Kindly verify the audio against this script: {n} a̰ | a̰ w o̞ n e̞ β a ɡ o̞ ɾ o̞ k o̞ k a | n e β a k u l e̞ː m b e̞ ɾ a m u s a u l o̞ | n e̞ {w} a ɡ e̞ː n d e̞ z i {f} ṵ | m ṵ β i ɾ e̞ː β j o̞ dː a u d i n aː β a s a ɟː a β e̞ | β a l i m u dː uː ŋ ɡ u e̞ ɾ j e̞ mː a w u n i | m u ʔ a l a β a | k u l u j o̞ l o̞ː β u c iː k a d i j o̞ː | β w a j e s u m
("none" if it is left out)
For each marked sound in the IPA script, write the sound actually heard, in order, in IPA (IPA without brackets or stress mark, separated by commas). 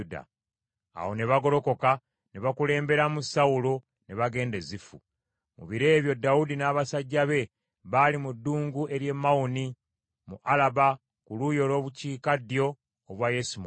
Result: d, β, f